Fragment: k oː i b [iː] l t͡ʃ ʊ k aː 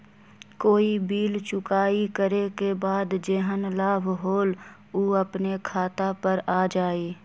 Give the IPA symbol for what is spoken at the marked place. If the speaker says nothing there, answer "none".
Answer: iː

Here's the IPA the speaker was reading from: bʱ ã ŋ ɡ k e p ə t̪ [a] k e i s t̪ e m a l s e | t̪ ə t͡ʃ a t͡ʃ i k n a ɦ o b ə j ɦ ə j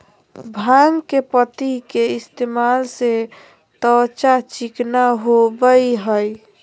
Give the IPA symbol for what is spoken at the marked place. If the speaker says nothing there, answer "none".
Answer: i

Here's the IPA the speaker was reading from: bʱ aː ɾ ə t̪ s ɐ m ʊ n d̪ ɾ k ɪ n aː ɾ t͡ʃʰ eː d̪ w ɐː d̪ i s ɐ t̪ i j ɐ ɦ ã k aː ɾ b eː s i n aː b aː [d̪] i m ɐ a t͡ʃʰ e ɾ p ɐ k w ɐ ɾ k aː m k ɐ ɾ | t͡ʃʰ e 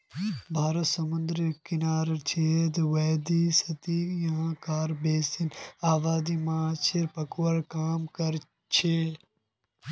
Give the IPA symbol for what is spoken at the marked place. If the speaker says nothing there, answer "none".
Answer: d̪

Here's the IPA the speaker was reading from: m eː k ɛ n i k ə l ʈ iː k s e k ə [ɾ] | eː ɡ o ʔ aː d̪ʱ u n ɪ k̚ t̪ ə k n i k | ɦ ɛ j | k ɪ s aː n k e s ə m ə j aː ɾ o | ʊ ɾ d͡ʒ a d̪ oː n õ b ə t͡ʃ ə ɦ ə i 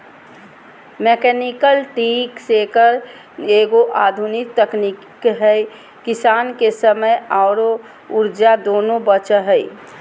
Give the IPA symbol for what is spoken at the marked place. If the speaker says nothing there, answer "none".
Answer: ɾ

